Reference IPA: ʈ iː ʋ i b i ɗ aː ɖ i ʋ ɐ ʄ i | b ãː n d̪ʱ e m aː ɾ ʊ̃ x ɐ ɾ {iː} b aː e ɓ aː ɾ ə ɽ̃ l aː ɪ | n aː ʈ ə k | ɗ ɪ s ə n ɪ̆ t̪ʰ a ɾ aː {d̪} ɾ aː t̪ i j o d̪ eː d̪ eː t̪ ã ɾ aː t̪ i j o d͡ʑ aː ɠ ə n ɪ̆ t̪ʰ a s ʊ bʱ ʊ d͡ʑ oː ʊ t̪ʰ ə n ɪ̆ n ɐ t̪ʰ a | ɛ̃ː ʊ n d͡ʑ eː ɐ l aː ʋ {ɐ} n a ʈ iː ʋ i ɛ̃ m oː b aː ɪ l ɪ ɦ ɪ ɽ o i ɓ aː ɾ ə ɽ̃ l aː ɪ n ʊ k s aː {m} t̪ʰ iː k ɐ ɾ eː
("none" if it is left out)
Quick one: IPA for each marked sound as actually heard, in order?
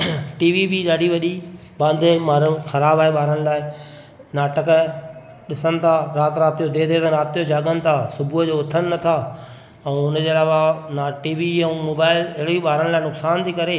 aː, t̪, a, n

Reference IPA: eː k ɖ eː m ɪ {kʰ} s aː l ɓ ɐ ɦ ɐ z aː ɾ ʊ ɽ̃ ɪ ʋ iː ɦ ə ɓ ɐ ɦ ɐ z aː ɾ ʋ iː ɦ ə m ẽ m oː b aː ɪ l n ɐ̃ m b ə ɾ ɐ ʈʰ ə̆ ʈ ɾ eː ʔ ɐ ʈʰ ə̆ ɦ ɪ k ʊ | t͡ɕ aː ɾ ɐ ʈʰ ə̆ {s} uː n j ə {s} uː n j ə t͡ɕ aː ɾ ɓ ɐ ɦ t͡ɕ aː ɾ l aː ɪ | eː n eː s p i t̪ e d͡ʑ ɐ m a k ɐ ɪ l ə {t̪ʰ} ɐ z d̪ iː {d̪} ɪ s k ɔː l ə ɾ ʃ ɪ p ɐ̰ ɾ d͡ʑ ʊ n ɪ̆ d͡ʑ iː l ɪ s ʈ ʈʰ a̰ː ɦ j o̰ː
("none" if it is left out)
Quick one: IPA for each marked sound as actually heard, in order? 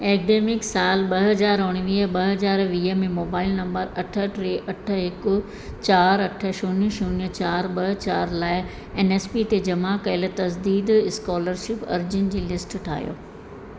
k, ʃ, ʃ, t̪, d̪

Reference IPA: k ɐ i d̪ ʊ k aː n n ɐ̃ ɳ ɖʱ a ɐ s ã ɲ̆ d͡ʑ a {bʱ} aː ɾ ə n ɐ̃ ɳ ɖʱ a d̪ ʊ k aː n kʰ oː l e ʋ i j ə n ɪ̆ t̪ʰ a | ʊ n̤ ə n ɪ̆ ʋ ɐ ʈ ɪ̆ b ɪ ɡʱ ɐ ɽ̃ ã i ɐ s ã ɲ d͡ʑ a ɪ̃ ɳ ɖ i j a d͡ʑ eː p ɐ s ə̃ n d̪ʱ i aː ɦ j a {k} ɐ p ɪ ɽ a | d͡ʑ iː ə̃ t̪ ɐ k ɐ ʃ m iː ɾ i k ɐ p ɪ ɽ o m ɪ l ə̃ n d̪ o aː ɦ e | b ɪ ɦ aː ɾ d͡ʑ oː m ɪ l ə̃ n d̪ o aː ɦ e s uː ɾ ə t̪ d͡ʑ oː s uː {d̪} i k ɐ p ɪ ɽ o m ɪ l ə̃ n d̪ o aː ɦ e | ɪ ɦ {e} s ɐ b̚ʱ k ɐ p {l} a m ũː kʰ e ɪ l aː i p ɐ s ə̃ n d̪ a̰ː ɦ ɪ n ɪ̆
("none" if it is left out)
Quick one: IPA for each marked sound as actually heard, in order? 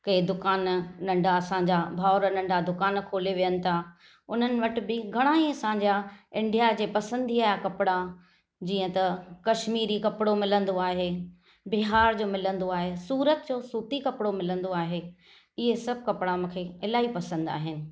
bʱ, k, t̪, e, ɽ

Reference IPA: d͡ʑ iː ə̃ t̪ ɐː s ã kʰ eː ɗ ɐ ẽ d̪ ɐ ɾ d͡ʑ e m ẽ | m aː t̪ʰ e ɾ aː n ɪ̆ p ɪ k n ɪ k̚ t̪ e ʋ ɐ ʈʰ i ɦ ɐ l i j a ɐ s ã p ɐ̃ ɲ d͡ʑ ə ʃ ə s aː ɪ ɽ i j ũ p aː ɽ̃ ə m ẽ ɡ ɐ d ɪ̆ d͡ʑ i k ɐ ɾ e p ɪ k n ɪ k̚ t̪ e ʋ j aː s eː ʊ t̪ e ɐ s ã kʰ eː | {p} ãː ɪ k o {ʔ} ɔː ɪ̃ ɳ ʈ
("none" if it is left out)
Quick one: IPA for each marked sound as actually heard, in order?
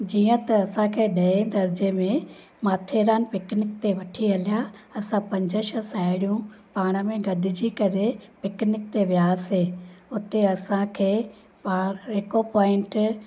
p, p

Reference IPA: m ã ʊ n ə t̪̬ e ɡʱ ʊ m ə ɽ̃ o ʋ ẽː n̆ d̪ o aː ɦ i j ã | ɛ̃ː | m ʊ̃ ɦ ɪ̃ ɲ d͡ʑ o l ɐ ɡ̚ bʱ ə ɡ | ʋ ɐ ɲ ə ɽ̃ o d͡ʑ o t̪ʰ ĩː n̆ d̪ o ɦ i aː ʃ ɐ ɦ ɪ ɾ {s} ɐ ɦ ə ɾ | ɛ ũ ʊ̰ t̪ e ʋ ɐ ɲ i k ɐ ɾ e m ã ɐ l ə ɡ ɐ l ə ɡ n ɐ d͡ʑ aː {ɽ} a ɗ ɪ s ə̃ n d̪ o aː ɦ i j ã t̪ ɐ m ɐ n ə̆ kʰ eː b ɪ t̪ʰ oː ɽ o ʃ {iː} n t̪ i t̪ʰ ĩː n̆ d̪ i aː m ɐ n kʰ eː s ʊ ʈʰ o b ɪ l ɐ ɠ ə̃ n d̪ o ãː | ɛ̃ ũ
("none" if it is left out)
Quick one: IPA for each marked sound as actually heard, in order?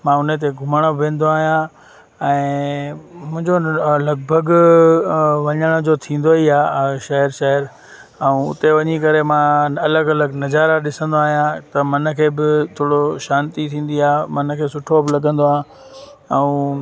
ʃ, ɾ, aː

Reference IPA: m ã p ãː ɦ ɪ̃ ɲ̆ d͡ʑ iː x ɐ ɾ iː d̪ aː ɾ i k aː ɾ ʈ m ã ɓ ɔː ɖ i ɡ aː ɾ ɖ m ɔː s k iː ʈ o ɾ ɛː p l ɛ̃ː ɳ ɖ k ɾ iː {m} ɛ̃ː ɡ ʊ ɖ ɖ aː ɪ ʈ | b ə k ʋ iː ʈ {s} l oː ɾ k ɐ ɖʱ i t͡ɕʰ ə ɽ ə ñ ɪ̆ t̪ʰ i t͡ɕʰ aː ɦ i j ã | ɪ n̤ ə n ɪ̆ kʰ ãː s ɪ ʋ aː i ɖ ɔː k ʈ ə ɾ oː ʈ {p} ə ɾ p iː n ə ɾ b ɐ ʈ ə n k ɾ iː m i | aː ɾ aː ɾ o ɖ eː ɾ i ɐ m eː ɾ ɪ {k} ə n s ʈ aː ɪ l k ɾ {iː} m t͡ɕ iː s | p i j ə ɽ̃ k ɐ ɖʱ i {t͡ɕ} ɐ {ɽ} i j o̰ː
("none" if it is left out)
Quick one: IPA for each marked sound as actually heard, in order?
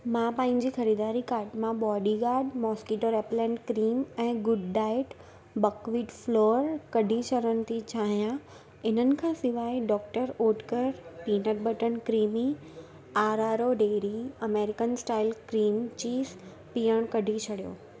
m, f, k, k, iː, t͡ɕʰ, ɽ

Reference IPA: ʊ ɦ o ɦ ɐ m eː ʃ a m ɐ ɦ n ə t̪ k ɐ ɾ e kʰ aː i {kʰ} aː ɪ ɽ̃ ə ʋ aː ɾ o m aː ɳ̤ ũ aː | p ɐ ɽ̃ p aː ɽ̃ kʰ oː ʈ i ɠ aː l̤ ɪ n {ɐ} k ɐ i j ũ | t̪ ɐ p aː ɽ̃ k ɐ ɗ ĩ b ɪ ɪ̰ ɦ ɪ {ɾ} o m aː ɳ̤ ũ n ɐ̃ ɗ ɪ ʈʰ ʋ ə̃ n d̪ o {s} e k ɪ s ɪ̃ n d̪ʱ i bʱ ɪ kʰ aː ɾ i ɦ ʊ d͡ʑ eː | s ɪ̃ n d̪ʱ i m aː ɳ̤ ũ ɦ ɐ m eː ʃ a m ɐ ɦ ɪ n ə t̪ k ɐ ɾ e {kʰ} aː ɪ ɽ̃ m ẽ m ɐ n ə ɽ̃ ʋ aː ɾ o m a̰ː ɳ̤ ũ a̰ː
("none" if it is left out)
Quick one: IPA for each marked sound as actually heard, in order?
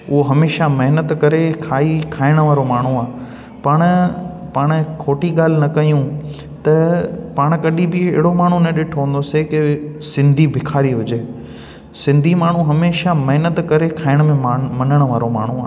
kʰ, ɐ, ɽ, s, kʰ

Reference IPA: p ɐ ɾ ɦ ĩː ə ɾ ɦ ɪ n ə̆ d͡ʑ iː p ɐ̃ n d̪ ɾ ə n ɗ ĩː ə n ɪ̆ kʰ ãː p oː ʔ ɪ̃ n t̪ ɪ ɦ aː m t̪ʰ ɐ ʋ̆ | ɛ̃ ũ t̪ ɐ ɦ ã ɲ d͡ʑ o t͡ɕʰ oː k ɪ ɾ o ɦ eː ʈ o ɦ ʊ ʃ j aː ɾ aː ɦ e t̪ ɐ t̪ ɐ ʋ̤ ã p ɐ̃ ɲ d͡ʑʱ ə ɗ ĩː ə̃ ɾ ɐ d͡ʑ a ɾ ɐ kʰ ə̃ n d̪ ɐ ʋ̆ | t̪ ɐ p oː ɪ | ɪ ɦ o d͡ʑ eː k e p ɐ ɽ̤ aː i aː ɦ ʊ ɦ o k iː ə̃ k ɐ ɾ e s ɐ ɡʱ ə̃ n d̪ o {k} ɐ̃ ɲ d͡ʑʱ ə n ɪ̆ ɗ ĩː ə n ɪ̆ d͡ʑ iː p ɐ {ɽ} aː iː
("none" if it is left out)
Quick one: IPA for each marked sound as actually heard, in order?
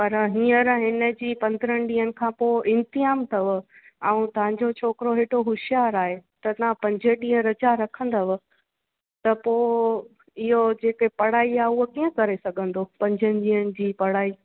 p, ɽ

